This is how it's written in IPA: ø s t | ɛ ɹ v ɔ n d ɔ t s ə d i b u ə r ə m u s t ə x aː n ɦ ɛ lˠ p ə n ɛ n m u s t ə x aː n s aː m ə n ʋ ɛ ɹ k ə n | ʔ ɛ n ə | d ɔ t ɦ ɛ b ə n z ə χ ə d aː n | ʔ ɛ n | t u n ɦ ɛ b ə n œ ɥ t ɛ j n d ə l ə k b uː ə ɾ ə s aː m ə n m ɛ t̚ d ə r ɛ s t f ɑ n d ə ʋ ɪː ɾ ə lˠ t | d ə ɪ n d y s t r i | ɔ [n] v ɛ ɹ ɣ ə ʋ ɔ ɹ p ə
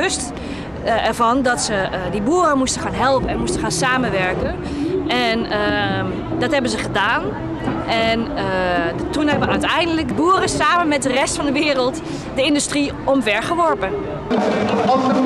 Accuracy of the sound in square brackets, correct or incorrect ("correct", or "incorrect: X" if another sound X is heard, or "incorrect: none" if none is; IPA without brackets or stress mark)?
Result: incorrect: m